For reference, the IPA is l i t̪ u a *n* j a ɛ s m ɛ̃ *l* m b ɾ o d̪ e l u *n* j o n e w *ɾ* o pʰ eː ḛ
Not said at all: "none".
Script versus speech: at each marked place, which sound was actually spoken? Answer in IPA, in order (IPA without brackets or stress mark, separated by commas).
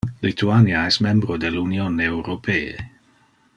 n, none, n, ɾ